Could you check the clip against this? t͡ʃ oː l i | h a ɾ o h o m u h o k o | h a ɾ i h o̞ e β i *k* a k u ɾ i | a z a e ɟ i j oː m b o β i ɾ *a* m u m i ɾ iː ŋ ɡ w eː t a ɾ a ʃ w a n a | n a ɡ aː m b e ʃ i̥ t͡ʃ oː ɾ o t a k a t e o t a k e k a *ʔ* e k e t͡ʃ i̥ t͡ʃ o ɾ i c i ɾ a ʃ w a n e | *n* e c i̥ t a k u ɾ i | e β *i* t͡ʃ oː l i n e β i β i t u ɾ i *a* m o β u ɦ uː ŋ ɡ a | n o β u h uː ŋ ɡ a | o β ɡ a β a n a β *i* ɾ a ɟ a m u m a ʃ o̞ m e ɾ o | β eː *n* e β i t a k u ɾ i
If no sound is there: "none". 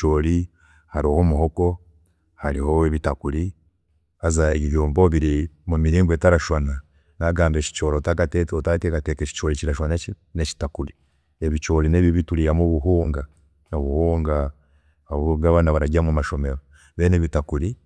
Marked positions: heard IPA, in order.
t, i, t, n, i, a, a, n

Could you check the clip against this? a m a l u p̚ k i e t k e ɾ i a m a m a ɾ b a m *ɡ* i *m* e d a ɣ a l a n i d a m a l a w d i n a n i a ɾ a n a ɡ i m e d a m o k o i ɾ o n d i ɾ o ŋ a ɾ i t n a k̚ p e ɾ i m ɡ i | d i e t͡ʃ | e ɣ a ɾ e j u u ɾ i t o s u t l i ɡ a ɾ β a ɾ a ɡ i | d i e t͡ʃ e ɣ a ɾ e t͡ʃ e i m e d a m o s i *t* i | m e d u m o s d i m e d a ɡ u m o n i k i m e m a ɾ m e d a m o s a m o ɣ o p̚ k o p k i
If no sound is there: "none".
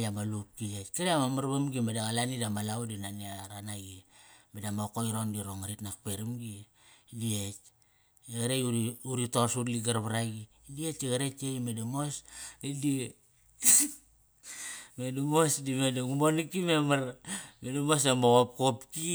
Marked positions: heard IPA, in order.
ɡ, m, d

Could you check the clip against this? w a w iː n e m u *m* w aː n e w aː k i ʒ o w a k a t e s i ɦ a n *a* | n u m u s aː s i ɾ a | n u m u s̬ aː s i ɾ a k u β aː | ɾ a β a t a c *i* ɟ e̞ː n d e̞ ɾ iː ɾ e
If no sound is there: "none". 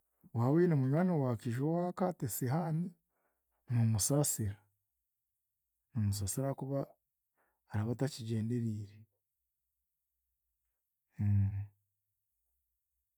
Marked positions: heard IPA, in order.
ɲ, i, i

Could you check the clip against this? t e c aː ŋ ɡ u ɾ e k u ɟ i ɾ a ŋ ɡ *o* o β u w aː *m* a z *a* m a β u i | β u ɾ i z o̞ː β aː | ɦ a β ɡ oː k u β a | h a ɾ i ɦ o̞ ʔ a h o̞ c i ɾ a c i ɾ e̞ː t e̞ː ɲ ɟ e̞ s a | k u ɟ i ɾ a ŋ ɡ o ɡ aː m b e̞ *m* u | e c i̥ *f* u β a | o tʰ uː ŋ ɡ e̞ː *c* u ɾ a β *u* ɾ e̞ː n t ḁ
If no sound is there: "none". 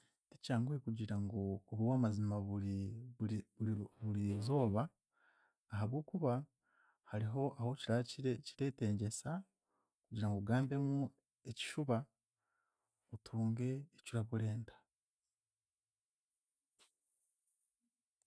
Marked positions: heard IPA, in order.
o, m, i, m, ʃ, c, u

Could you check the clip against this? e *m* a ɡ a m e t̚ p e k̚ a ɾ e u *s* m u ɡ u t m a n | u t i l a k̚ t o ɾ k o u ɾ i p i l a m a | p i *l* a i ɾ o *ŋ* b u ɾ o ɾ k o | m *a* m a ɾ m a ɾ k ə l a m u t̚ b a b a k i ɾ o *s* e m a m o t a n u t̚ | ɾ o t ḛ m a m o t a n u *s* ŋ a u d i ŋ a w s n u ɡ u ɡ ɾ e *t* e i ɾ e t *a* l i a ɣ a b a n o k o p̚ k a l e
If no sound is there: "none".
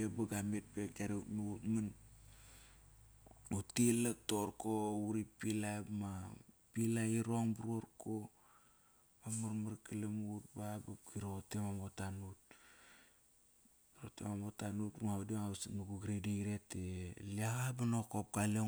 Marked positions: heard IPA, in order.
b, t, l, ŋ, a, t, t, d, e

